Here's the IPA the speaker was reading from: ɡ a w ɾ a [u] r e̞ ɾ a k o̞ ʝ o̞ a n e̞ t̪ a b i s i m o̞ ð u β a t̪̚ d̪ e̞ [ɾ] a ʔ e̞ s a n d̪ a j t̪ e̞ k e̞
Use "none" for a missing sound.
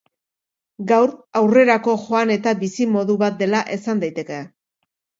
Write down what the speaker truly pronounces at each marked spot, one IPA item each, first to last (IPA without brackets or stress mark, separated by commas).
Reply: w, l